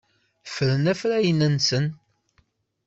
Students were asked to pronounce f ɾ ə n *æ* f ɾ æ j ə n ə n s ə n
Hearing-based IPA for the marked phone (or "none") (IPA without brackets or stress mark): æ